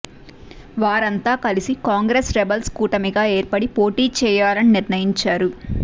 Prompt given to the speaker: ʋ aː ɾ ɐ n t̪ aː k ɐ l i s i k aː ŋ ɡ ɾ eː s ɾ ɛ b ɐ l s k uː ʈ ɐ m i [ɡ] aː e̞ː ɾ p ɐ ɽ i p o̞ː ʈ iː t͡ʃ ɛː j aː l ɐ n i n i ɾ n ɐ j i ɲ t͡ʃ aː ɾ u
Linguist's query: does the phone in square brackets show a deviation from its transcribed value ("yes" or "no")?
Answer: no